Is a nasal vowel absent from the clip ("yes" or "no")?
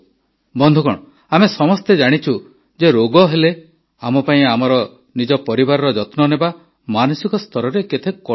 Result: no